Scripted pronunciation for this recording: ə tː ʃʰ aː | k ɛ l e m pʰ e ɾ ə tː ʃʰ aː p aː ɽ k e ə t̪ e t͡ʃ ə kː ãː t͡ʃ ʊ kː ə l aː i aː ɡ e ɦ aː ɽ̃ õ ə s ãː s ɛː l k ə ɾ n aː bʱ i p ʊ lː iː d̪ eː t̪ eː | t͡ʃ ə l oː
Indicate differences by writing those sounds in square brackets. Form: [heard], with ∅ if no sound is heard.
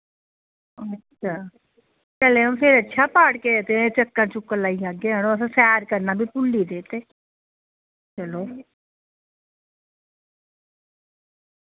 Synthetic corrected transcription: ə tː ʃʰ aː | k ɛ l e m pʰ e ɾ ə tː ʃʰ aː p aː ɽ k e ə t̪ e t͡ʃ ə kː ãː t͡ʃ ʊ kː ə l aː i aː ɡ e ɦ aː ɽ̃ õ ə s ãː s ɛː [ɾ] k ə ɾ n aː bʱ i p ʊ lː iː d̪ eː t̪ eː | t͡ʃ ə l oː